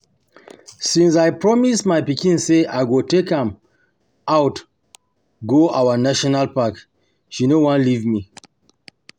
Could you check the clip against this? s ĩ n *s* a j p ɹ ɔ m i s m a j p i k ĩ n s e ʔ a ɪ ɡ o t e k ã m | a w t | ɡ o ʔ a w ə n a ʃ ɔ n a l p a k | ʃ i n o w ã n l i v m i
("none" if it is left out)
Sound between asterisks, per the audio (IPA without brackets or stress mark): s